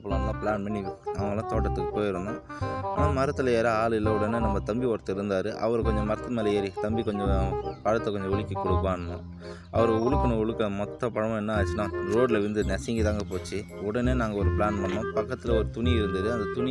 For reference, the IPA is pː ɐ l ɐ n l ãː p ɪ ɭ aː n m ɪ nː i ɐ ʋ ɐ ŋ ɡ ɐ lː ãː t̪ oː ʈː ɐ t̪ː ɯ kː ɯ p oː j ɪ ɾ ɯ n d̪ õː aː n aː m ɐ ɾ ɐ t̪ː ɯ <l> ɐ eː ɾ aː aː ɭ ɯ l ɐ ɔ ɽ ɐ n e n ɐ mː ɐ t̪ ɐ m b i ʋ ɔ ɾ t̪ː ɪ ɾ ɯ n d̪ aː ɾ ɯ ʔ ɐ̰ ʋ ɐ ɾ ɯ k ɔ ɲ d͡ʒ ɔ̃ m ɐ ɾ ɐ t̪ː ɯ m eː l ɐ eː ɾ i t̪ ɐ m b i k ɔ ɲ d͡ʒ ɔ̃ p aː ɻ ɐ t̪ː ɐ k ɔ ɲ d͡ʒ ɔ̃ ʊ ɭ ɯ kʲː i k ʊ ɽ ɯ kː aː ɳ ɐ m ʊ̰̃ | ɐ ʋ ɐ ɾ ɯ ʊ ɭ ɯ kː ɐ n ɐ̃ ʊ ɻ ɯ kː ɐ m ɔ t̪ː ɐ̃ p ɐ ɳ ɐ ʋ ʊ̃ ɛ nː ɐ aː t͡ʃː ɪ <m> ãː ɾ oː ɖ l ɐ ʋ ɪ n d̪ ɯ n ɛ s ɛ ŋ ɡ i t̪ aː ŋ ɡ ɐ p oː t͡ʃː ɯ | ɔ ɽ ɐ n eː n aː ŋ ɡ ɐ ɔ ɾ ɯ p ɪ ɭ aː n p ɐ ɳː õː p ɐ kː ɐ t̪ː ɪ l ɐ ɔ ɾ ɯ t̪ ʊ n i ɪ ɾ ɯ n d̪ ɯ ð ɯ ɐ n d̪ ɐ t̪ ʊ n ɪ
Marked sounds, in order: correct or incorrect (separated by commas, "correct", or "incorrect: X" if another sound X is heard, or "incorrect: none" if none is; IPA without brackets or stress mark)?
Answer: correct, incorrect: n